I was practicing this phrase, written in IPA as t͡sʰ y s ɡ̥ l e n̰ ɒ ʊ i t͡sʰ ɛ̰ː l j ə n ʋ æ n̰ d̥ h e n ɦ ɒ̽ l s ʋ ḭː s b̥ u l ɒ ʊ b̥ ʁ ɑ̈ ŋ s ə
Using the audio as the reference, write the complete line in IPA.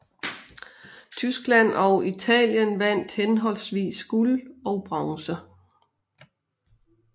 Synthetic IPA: t͡sʰ y s ɡ̥ l æ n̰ ɒ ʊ i t͡sʰ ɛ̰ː l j ə n ʋ æ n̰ d̥ h e n ɦ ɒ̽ l s ʋ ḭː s ɡ̥ u l ɒ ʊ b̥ ʁ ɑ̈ ŋ s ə

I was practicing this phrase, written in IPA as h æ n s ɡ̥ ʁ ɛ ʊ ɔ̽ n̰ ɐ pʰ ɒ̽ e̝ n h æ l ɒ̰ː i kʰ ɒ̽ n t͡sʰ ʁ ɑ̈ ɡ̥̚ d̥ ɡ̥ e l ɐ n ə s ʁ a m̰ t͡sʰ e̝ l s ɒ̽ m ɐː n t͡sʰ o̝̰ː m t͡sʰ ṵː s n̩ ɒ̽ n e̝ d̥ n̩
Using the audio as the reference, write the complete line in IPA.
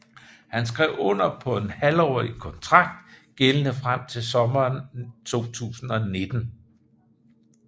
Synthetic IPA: h æ n s ɡ̥ ʁ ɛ ʊ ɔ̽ n̰ ɐ pʰ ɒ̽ e̝ n h æ l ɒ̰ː i kʰ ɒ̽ n t͡sʰ ʁ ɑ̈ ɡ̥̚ d̥ ɡ̥ e l ə n ə f ʁ a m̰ t͡sʰ e̝ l s ɒ̽ m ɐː n t͡sʰ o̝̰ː t͡sʰ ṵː s n̩ ɒ̽ n e̝ d̥ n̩

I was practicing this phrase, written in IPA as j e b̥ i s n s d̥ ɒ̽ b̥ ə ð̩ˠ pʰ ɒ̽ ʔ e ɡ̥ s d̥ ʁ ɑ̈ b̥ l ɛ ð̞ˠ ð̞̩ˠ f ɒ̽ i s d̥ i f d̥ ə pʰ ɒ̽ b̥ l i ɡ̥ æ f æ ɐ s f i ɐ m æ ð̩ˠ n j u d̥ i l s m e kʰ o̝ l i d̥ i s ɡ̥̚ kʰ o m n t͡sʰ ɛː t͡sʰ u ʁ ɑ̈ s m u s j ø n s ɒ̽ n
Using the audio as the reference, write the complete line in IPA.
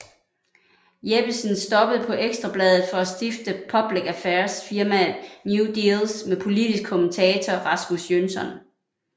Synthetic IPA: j e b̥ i s n s d̥ ɒ̽ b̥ ə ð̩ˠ pʰ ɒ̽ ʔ e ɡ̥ s d̥ ʁ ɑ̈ b̥ l ɛ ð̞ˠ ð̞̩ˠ f ɒ̽ æ s d̥ i f d̥ ə pʰ ɒ̽ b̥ l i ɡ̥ æ f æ ɐ s f i ɐ m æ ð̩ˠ n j u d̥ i l s m e pʰ o̝ l i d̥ i s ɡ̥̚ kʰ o m n t͡sʰ ɛː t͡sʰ ɒ ʁ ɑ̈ s m u s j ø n s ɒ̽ n

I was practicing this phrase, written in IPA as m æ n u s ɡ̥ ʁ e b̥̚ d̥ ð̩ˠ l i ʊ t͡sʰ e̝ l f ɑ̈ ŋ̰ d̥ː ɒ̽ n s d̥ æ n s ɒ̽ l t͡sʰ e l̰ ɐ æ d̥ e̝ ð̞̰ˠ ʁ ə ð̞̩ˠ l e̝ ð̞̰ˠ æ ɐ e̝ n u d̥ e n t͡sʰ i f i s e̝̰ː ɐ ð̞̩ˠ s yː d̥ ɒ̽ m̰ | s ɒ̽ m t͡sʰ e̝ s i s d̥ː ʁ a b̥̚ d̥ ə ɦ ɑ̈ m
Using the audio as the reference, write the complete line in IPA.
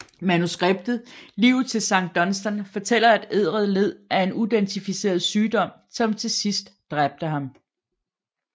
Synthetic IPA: m æ n u s ɡ̥ ʁ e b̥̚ d̥ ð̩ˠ l i ʊ t͡sʰ e̝ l s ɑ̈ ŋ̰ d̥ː ɒ̽ n s d̥ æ n f ɒ̽ t͡sʰ e l̰ ɐ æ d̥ e̝ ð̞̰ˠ ʁ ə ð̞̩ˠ l e̝ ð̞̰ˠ æ ɐ e̝ n u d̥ e n t͡sʰ i f i s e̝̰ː ɐ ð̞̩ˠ s yː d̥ ɒ̽ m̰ | s ɒ̽ m t͡sʰ e̝ s i s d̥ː ʁ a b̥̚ d̥ ə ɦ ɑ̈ m

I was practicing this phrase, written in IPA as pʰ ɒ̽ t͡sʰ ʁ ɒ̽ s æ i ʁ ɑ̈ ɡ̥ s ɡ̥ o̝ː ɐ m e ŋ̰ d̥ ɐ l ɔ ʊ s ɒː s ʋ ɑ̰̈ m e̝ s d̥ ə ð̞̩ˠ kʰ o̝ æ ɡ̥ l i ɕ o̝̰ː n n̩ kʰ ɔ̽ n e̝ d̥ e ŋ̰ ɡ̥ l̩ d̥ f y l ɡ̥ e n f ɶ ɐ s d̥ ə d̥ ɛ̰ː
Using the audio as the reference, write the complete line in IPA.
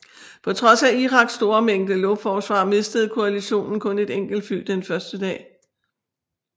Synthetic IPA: pʰ ɒ̽ t͡sʰ ʁ ɒ̽ s æ i ʁ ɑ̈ ɡ̥ s d̥ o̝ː ɐ m e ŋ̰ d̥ ə l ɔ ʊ f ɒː s ʋ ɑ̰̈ m e̝ s d̥ ə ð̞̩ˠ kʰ o̝ æ l i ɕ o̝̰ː n n̩ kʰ ɔ̽ n e̝ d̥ e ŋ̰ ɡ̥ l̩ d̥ f y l d̥ e n f ɶ ɐ s d̥ ə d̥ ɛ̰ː

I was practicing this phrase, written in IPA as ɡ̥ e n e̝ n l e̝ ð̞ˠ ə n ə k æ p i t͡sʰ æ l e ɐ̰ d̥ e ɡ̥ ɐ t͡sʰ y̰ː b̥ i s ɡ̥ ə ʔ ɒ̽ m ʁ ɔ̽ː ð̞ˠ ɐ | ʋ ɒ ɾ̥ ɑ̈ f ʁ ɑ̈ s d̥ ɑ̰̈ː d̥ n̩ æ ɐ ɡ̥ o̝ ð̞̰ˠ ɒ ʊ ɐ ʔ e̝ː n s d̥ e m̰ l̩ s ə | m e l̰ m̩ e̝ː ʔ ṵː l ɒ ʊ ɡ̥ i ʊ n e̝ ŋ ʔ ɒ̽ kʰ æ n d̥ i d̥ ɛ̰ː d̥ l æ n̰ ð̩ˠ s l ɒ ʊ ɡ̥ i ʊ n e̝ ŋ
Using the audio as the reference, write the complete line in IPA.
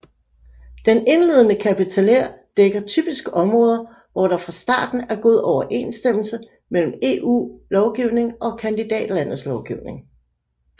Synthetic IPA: d̥ e n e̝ n l e̝ ð̞ˠ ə n ə kʰ æ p i t͡sʰ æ l e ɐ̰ d̥ e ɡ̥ ɐ t͡sʰ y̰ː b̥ i s ɡ̥ ə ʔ ɒ̽ m ʁ ɔ̽ː ð̞ˠ ɐ | ʋ ɒ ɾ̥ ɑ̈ f ʁ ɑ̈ s d̥ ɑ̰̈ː d̥ n̩ æ ɐ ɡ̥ o̝ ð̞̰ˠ ɒ ʊ ɐ ʔ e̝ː n s d̥ e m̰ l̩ s ə | m e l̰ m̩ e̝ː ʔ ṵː l ɒ ʊ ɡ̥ i ʊ n e̝ ŋ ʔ ɒ̽ kʰ æ n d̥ i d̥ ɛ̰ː d̥ l æ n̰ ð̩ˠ s l ɒ ʊ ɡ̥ i ʊ n e̝ ŋ

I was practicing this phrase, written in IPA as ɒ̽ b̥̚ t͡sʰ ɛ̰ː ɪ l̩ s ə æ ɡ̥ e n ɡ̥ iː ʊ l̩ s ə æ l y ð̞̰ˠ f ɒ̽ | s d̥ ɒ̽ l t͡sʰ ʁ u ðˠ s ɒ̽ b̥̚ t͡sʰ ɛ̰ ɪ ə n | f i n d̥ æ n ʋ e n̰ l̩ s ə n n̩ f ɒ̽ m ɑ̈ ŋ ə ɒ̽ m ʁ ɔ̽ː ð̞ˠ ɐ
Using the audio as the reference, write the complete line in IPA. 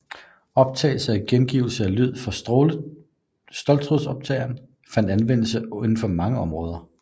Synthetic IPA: ɒ̽ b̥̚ t͡sʰ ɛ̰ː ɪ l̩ s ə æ ɡ̥ e n ɡ̥ iː ʊ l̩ s ə æ l y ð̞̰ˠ f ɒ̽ | s d̥ ɒ̽ l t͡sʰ ʁ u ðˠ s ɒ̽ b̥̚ t͡sʰ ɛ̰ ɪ ɐ n | f æ n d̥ æ n ʋ e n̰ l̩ s ə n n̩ f ɒ̽ m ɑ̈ ŋ ə ɒ̽ m ʁ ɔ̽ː ð̞ˠ ɐ

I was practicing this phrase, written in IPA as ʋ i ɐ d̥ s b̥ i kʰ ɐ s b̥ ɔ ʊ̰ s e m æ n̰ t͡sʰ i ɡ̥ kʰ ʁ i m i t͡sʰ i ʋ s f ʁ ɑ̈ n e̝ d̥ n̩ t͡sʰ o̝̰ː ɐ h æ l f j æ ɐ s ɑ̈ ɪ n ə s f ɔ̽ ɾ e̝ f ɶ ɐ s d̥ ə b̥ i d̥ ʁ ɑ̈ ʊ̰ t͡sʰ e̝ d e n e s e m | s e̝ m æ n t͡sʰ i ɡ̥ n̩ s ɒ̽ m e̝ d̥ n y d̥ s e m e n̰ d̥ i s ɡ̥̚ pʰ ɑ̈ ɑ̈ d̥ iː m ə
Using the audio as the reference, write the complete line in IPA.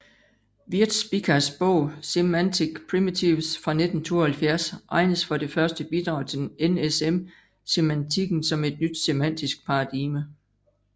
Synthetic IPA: ʋ i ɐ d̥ s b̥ i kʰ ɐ s b̥ ɔ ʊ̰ s e m æ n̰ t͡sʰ i ɡ̥ pʰ ʁ i m i t͡sʰ i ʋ s f ʁ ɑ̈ n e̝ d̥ n̩ t͡sʰ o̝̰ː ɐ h æ l f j æ ɐ s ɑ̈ ɪ n ə s f ɒ̽ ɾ e̝ f ɶ ɐ s d̥ ə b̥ i d̥ ʁ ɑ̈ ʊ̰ t͡sʰ e̝ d e n e s e m | s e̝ m æ n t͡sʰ i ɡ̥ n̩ s ɒ̽ m e̝ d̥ n y d̥ s e m æ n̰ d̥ i s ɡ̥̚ pʰ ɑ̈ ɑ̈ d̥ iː m ə

